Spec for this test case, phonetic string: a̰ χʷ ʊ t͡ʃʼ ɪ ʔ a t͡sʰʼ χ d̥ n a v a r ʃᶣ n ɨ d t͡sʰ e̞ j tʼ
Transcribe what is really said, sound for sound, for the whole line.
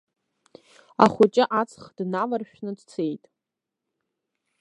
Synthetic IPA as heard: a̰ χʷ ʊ t͡ʃʼ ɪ ʔ a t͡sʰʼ χ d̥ n a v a r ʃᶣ n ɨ d t͡sʰ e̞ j tʼ